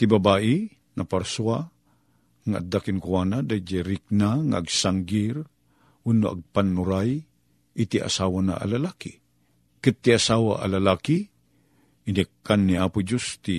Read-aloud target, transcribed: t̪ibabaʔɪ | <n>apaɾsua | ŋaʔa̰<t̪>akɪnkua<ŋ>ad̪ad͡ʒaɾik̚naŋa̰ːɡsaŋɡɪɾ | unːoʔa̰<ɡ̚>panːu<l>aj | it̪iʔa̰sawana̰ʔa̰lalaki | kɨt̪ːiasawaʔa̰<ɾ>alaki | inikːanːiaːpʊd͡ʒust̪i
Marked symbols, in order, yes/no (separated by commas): yes, no, no, yes, no, no